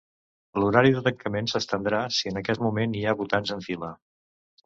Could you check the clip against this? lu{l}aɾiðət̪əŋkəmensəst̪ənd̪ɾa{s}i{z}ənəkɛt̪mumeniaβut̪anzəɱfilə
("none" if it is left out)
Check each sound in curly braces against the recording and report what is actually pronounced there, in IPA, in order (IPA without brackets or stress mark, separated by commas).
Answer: ɾ, s, none